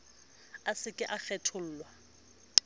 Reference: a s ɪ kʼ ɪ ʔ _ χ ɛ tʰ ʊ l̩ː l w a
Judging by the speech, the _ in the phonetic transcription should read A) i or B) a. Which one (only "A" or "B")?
B